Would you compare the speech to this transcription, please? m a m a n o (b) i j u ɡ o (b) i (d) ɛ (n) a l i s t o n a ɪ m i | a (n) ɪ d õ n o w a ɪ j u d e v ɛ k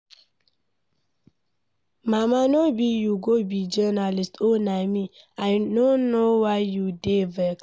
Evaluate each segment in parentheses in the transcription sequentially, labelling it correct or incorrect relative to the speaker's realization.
correct, correct, incorrect, correct, incorrect

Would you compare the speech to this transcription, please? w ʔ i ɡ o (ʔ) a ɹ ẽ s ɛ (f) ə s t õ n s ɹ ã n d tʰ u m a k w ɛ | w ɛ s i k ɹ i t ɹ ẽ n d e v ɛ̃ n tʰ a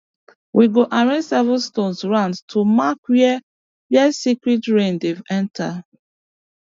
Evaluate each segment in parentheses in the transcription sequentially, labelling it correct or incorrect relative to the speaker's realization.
correct, incorrect

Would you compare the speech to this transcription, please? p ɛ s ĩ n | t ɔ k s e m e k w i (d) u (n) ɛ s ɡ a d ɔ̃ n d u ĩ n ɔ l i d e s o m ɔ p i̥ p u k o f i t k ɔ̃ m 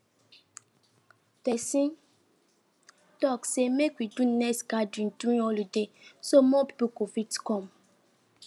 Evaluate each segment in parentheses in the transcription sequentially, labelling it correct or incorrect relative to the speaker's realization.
correct, correct

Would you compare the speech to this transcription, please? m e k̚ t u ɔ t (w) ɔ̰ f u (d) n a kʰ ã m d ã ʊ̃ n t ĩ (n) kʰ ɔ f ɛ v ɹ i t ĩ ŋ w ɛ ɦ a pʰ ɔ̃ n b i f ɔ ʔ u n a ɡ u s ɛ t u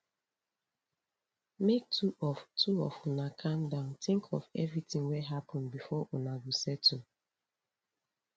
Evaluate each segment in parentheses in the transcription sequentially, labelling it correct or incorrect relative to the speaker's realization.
incorrect, incorrect, incorrect

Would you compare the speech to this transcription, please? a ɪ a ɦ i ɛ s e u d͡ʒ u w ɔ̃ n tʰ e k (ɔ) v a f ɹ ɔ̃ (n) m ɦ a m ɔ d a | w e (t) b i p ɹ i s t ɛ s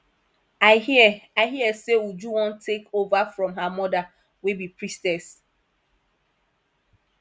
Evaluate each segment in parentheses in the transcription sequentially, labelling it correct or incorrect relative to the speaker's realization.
incorrect, incorrect, incorrect

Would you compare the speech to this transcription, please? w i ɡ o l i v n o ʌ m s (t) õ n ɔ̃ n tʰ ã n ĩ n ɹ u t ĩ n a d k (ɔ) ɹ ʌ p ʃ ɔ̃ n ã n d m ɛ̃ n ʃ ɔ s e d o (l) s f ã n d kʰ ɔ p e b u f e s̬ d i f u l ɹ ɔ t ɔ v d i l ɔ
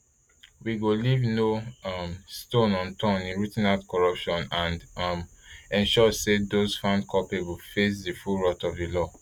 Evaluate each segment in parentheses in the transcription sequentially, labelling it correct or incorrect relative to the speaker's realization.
correct, correct, incorrect

